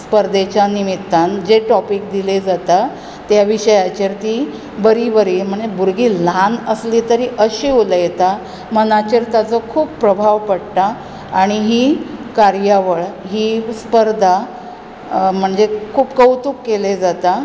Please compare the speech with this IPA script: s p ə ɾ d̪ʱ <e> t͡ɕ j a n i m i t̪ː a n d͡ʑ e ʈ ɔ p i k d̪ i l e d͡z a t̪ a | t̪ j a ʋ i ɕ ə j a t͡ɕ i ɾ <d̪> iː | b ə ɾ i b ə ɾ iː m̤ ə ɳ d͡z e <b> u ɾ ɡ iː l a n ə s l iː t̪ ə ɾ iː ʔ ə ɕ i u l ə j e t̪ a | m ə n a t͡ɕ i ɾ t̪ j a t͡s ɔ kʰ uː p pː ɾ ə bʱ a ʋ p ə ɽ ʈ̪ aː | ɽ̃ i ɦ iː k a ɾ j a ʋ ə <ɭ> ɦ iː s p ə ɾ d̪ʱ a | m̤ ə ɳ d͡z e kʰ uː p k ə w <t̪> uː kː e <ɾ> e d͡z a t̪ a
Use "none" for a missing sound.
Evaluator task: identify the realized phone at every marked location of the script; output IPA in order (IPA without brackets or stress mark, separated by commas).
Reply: e, t̪, b, ɭ, t̪, l